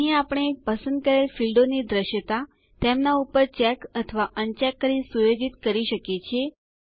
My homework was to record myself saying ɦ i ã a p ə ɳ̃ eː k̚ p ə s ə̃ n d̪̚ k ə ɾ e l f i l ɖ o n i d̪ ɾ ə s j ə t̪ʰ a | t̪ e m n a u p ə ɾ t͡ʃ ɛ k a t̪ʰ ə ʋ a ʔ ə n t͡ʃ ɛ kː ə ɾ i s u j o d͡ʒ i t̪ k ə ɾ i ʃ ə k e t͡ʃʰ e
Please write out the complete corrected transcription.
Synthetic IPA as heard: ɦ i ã a p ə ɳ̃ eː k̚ p ə s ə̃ n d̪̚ k ə ɾ e l f i l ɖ o n i d̪ ɾ ə ʃ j ə t̪ a | t̪ e m n a u p ə ɾ t͡ʃ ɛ k ə t̪ʰ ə ʋ a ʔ ə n t͡ʃ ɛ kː ə ɾ i s u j o d͡ʒ i t̪ k ə ɾ i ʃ ə k e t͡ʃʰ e